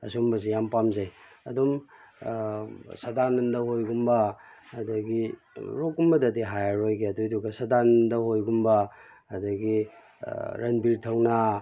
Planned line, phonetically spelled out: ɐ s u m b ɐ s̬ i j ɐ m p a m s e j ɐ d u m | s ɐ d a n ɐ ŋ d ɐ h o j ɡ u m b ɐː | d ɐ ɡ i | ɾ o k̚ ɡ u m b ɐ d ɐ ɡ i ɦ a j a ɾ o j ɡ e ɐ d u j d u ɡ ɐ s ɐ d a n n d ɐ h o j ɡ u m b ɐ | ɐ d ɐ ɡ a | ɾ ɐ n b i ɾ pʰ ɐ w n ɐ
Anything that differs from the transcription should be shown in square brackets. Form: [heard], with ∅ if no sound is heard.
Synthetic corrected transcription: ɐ s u m b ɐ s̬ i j [a] m p a m [z] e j ɐ d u m | s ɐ d a n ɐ [n] d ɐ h o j ɡ u m b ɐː | d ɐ ɡ i | ɾ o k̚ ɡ u m b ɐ d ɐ [d] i ɦ a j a ɾ o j ɡ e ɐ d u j d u ɡ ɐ s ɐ d a n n d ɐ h o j ɡ u m b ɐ | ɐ d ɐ ɡ [i] | ɾ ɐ n b i ɾ [tʰ] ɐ w n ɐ